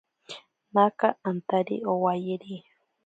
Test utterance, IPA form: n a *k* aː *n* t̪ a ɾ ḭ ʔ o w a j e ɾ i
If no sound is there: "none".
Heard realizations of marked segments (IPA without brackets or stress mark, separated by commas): k, n